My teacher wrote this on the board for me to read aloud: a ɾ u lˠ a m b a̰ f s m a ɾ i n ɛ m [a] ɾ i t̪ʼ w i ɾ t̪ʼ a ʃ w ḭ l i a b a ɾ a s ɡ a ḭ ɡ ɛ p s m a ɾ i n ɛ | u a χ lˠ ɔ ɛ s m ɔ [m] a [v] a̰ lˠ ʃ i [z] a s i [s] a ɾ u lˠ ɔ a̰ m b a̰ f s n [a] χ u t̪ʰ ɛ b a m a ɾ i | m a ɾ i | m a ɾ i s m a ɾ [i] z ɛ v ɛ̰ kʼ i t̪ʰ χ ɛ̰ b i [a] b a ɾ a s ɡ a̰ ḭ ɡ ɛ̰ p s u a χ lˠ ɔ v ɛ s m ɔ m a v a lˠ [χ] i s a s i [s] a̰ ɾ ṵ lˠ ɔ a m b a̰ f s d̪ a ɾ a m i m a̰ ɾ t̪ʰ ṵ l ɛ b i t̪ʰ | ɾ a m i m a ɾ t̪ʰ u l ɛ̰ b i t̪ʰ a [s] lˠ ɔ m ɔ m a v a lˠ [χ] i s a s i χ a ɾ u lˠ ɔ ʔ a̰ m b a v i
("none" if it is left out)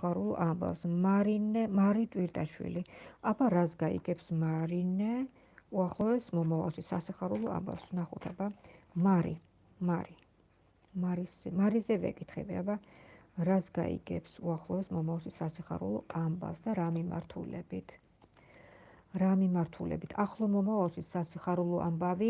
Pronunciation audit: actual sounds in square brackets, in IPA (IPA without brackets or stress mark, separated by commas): a, m, v, s, χ, a, i, a, ʃ, χ, χ, ʃ